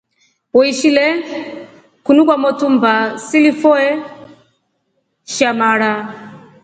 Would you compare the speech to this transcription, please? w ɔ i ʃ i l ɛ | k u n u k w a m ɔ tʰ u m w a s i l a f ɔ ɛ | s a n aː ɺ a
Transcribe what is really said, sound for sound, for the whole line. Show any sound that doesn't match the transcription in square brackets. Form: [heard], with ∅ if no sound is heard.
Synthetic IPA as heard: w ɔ i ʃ i l ɛ | k u n u k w a m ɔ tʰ u m [b] a s i l [i] f ɔ ɛ | [ʃ] a [m] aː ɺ a